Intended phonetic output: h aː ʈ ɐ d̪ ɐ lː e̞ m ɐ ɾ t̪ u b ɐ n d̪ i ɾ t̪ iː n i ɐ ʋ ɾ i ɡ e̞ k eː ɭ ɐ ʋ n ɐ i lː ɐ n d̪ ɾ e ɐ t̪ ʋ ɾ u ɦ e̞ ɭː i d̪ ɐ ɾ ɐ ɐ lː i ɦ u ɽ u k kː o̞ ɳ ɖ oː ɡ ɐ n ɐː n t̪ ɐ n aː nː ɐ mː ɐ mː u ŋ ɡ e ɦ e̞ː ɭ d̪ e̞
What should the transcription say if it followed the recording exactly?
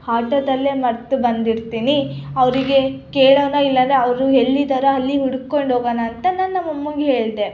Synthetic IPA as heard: h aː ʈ ɐ d̪ ɐ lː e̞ m ɐ ɾ t̪ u b ɐ n d̪ i ɾ t̪ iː n i ɐ ʋ ɾ i ɡ e̞ k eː ɭ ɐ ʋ n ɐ i lː ɐ n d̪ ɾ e ɐ ʋ ɾ u ɦ e̞ ɭː i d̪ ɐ ɾ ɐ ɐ lː i ɦ u ɽ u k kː o̞ ɳ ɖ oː ɡ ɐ n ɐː n t̪ ɐ n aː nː ɐ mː ɐ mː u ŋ ɡ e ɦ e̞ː ɭ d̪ e̞